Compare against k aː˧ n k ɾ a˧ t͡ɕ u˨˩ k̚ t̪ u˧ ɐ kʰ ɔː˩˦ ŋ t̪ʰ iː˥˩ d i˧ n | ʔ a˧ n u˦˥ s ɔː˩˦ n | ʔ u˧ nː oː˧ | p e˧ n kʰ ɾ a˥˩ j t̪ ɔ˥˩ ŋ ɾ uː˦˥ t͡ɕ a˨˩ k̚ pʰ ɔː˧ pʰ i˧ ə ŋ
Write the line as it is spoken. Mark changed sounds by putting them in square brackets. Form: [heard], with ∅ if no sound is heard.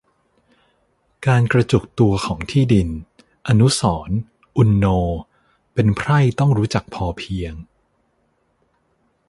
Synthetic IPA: k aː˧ n k ɾ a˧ t͡ɕ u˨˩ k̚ t̪ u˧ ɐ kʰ ɔː˩˦ ŋ t̪ʰ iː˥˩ d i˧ n | ʔ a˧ n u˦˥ s ɔː˩˦ n | ʔ u˧ nː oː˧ | p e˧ n [pʰ] ɾ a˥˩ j t̪ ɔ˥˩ ŋ ɾ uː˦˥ t͡ɕ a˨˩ k̚ pʰ ɔː˧ pʰ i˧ ə ŋ